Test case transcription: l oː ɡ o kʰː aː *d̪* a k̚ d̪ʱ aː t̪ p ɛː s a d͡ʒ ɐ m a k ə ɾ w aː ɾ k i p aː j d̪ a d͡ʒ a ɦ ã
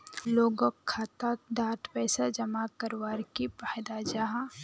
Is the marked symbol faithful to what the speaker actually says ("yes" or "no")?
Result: no